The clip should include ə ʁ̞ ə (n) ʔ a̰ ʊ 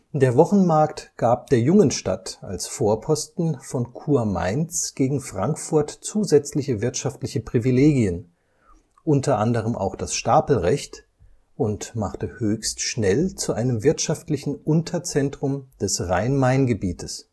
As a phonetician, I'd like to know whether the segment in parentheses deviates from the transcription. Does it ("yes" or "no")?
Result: yes